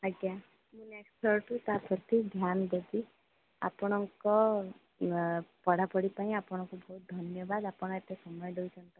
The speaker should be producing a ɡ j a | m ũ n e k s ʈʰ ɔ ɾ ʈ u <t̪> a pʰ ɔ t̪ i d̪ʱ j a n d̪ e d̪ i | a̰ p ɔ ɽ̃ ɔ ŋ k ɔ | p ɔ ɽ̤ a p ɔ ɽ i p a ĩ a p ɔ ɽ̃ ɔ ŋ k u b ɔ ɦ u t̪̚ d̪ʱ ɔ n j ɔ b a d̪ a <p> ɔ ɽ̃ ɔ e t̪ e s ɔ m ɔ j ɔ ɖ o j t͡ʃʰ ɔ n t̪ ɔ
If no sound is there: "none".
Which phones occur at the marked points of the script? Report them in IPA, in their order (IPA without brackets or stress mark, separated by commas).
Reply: t̪, p